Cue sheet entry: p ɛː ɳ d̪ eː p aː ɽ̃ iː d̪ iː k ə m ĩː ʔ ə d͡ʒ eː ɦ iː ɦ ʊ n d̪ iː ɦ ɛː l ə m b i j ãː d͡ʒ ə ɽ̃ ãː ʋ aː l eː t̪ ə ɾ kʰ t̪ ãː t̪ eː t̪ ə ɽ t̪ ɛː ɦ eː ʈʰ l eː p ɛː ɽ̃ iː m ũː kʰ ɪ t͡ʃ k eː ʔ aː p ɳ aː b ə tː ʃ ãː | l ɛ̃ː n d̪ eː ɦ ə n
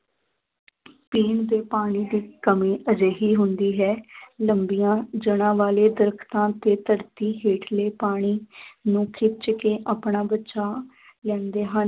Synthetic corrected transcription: p iː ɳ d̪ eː p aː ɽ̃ iː d̪ iː k ə m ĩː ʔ ə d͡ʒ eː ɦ iː ɦ ʊ n d̪ iː ɦ ɛː l ə m b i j ãː d͡ʒ ə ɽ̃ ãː ʋ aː l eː d̪ ə ɾ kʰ t̪ ãː t̪ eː t̪ ə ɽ t̪ iː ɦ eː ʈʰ l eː p aː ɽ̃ iː n ũː kʰ ɪ t͡ʃ k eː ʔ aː p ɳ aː b ə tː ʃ aː | l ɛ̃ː n d̪ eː ɦ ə n